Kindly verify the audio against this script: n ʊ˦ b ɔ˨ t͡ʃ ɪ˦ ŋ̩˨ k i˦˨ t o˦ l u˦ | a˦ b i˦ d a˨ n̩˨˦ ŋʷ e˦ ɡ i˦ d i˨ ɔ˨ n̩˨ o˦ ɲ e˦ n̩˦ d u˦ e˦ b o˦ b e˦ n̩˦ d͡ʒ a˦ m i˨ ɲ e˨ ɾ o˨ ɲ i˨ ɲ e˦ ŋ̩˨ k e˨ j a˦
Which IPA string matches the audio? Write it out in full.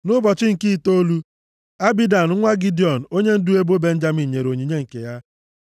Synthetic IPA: n ʊ˦ b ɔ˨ t͡ʃ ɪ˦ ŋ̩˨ k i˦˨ t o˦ l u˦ | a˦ b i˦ d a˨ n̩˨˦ ŋʷ a˦ ɡ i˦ d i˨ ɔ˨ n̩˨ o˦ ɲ e˦ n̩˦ d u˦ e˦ b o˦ b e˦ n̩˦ d͡ʒ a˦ m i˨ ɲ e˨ ɾ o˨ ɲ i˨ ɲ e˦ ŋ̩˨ k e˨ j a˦